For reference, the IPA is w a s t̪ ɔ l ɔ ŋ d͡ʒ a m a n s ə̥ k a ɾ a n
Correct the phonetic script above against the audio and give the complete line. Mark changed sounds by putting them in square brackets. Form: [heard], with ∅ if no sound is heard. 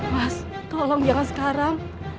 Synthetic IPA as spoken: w a s t̪ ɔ l ɔ ŋ d͡ʒ a [ŋ] a n s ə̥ k a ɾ a [ŋ]

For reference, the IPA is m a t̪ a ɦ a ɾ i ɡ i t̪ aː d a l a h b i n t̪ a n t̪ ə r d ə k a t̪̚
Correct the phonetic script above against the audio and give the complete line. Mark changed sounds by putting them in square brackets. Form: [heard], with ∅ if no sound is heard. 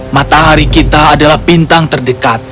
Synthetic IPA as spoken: m a t̪ a ɦ a ɾ i [k] i t̪ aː d a l a h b i n t̪ a [ŋ] t̪ ə r d ə k a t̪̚

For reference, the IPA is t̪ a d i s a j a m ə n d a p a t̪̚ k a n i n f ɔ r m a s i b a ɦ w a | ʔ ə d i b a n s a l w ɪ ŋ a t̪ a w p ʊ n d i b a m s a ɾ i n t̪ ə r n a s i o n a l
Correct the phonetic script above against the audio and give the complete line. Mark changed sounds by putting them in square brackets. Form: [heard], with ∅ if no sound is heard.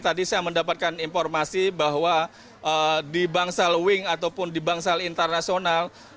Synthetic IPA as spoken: t̪ a d i s a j a m ə n d a p a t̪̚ k a n i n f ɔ r m a s i b a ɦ w a | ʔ ə d i b a [ŋ] s a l w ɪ ŋ a t̪ a w p ʊ n d i b a [ŋ] s a [l] i n t̪ ə r n a s i o n a l

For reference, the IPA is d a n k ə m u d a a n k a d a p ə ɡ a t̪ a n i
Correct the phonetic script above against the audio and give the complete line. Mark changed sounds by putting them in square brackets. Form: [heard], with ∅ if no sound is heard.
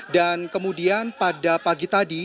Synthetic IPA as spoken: d a n k ə m u d [i] a n [p] a d a p [a] ɡ [i] t̪ a [d] i

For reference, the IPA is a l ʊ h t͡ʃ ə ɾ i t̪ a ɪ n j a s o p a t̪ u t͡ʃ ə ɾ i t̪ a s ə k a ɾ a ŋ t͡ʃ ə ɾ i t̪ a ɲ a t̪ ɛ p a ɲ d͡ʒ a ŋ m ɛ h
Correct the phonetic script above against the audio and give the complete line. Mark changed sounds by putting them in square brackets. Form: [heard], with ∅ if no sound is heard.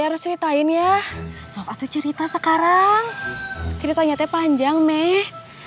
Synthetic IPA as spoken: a [ɾ] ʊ [s] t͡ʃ ə ɾ i t̪ a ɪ n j a s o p a t̪ u t͡ʃ ə ɾ i t̪ a s ə k a ɾ a ŋ t͡ʃ ə ɾ i t̪ a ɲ a t̪ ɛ p a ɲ d͡ʒ a ŋ m ɛ h

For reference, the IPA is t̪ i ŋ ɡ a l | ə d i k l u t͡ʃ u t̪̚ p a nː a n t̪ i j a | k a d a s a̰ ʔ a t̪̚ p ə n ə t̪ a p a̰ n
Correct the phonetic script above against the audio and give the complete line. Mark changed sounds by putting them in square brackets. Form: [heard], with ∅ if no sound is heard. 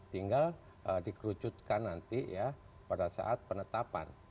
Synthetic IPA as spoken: t̪ i ŋ ɡ a l | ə d i k [ɾ] u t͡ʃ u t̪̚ [k] a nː a n t̪ i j a | [p] a d a s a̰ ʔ a t̪̚ p ə n ə t̪ a p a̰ n

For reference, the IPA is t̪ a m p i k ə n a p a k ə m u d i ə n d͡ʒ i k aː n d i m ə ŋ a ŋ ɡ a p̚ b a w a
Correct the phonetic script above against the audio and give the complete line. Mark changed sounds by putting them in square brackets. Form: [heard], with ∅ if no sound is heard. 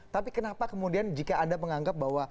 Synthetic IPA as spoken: t̪ a [∅] p i k ə n a p a k ə m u d i [a] n d͡ʒ i k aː n d [a] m ə ŋ a ŋ ɡ a p̚ b a w a

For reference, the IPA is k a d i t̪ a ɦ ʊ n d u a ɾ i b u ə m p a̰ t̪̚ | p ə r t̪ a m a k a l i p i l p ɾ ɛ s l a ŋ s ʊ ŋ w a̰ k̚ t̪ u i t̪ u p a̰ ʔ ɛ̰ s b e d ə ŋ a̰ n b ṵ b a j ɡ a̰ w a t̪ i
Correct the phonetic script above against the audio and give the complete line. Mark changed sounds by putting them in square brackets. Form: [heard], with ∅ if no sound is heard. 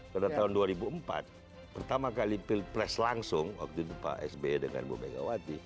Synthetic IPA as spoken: k a d [a] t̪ a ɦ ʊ n d u a ɾ i b u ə m p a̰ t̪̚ | p ə r t̪ a m a k a l i p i l p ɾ ɛ s l a ŋ s ʊ ŋ w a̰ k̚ t̪ u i t̪ u p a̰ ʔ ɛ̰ s b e d ə ŋ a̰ n b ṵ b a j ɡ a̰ w a t̪ i

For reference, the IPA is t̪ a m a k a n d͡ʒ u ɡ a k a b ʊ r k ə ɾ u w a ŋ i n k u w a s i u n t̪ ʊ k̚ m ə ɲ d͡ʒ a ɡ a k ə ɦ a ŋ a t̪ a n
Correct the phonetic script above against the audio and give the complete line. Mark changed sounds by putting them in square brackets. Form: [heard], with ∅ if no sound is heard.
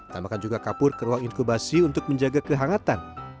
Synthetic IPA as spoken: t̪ a m a k a n d͡ʒ u ɡ a k a [p] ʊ r k ə ɾ u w a ŋ i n k u [b] a s i u n t̪ ʊ k̚ m ə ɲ d͡ʒ a ɡ a k ə ɦ a ŋ a t̪ a n

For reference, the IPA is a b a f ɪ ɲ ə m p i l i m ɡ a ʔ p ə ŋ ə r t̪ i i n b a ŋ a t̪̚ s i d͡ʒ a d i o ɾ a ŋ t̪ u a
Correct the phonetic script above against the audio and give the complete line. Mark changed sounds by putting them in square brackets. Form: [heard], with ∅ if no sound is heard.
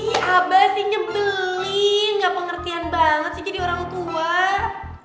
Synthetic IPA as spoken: a b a [s] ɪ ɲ ə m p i l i [ŋ] ɡ a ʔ p ə ŋ ə r t̪ i [a] n b a ŋ [ə] t̪̚ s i d͡ʒ a d i o ɾ a ŋ t̪ u a

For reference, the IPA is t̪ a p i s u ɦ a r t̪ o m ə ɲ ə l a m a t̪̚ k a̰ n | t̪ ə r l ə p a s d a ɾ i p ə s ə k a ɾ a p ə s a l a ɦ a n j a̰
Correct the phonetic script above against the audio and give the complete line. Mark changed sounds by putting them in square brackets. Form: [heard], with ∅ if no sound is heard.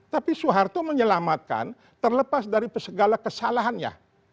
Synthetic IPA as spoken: t̪ a p i s u ɦ a r t̪ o m ə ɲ ə l a m a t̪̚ k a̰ n | t̪ ə r l ə p a s d a ɾ i p ə s ə [ɡ] a [l] a [k] ə s a l a ɦ a n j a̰

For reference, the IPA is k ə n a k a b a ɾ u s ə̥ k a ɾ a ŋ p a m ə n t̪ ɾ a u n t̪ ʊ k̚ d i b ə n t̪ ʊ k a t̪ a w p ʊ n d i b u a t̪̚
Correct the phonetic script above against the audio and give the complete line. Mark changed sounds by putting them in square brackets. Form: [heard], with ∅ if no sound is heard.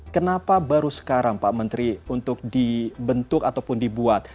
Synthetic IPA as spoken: k ə n a [p] a b a ɾ u s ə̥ k a ɾ a ŋ p a m ə n t̪ ɾ [i] u n t̪ ʊ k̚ d i b ə n t̪ ʊ k a t̪ a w p ʊ n d i b u a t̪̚

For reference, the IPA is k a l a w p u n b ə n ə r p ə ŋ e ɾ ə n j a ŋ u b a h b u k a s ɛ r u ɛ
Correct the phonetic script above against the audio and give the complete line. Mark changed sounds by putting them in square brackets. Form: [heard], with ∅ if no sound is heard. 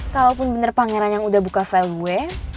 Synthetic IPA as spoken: k a l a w p [ʊ] n b ə n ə r p [a] ŋ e ɾ [a] n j a ŋ u [d] a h b u k a [f] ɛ [l] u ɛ

